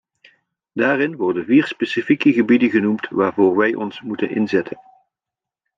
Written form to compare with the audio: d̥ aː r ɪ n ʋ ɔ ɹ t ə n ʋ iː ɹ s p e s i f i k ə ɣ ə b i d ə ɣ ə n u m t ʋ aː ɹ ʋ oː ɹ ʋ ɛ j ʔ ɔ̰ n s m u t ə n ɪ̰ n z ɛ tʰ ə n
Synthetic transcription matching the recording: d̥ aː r ɪ n ʋ ɔ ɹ d ə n v iː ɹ s p e s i f i k ə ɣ ə b i d ə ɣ ə n u m t ʋ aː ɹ v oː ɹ ʋ ɛ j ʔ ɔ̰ n s m u t ə n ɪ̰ n z ɛ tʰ ə n